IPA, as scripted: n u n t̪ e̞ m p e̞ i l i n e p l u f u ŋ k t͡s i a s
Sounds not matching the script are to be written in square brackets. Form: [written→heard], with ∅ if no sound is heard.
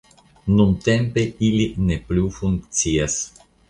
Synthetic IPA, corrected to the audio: n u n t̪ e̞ m p e̞ i l i n e p l u f u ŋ k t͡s i a s